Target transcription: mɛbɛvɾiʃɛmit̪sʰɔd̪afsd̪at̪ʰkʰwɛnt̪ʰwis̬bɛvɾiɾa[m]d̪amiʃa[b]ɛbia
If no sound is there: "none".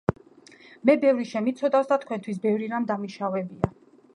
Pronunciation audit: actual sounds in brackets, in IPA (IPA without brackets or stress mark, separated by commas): m, v